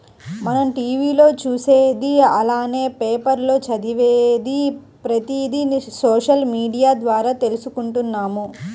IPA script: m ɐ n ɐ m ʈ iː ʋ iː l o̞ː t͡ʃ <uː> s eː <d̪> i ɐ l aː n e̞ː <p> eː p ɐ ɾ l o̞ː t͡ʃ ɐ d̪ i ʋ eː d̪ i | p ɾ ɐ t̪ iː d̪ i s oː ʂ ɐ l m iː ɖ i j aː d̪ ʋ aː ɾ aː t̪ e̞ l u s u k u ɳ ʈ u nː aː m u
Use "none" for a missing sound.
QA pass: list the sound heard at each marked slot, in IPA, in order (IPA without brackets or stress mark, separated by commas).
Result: uː, d̪, p